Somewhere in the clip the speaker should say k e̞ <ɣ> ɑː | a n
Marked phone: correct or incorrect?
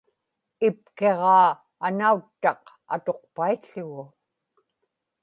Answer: incorrect: ʁ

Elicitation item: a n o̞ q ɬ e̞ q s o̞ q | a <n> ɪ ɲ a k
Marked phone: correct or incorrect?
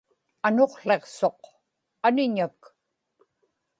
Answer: correct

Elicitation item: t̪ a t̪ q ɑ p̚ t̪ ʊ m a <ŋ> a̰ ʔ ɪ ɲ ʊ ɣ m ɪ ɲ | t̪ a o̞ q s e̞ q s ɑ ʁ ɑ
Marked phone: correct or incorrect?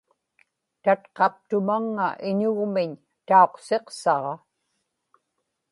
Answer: incorrect: ŋː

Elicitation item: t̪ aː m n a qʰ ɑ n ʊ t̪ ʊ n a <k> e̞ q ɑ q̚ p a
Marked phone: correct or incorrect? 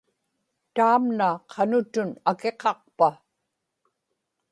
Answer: correct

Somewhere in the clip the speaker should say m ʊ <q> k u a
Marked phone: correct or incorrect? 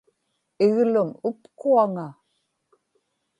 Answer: incorrect: p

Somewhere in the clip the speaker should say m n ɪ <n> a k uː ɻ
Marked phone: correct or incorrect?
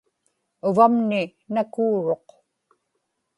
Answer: correct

